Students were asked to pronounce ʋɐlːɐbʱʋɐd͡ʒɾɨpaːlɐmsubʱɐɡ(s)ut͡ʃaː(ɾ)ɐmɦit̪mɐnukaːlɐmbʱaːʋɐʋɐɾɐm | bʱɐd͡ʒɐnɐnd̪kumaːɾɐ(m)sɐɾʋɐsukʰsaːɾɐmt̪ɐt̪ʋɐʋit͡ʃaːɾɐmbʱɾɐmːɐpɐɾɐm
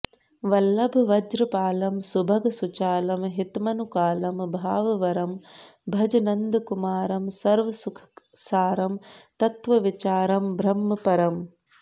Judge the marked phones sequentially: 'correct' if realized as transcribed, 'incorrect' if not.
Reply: correct, incorrect, correct

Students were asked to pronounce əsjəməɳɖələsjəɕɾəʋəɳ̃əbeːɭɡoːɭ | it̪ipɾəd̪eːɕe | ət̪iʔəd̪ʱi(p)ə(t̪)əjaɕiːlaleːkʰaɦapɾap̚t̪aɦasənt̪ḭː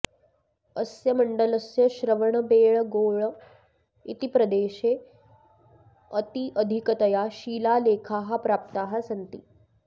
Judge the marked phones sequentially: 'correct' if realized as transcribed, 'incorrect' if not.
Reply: incorrect, correct

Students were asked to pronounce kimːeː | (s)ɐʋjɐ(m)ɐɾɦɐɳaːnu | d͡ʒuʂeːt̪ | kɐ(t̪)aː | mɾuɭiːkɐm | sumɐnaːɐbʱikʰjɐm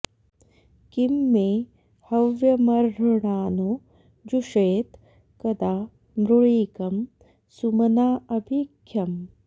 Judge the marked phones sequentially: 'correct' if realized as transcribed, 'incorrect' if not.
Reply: incorrect, correct, incorrect

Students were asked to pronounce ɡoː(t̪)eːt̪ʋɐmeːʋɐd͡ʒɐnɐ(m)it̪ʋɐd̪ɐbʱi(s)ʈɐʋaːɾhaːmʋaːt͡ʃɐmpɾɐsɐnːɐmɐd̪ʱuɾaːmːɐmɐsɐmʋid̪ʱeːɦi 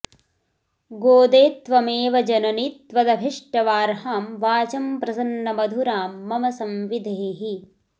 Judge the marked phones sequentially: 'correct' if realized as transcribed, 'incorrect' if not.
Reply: incorrect, incorrect, incorrect

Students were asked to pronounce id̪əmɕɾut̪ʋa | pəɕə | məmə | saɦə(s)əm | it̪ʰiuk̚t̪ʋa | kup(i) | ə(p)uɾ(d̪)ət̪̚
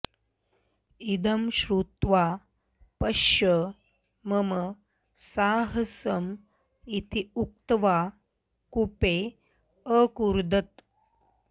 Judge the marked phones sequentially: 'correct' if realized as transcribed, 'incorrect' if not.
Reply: correct, incorrect, incorrect, correct

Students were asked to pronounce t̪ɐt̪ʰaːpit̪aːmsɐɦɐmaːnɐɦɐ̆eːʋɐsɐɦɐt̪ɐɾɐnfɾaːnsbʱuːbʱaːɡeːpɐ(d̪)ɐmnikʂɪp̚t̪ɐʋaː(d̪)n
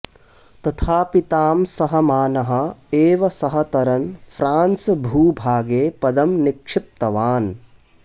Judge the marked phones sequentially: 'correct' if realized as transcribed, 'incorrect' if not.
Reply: correct, incorrect

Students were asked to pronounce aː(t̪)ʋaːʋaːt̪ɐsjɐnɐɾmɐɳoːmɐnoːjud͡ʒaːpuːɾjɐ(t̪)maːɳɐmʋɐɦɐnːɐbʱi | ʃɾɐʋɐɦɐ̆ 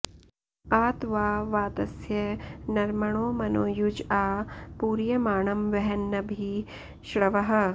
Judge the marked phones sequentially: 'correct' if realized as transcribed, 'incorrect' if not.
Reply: correct, incorrect

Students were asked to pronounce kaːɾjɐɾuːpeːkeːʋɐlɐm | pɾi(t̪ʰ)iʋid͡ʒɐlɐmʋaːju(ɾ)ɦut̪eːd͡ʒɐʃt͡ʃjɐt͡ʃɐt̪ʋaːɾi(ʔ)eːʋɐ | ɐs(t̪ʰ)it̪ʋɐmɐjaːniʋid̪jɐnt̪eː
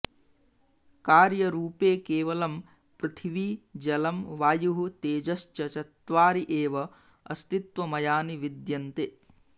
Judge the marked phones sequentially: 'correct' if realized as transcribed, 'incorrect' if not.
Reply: correct, incorrect, correct, incorrect

